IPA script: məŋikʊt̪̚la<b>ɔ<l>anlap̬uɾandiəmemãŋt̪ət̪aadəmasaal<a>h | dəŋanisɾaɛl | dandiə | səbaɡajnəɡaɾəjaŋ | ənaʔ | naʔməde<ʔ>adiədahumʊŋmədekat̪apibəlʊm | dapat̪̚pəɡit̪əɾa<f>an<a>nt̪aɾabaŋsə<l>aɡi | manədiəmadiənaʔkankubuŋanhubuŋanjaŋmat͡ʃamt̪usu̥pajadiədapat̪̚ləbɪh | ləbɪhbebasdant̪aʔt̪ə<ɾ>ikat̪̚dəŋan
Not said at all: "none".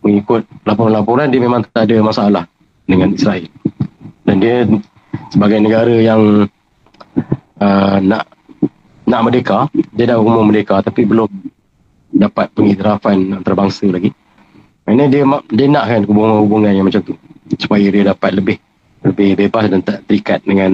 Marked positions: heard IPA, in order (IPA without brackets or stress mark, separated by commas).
p, ɾ, a, k, f, a, l, ɾ